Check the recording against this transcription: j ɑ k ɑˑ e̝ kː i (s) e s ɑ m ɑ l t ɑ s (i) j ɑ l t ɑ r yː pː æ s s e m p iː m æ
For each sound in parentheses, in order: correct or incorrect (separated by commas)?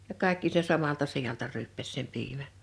correct, correct